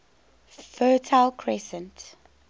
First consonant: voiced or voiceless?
voiceless